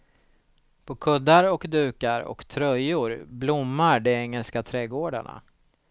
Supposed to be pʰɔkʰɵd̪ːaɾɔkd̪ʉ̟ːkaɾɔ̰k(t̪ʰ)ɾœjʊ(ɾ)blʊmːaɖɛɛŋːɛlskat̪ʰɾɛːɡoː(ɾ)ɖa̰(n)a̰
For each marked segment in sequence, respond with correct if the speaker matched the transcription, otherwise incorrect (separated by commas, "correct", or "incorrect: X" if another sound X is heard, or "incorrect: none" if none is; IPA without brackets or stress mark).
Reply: correct, correct, incorrect: none, incorrect: ɳ